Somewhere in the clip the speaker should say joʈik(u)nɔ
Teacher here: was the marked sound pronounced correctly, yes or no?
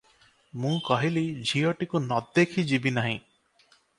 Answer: yes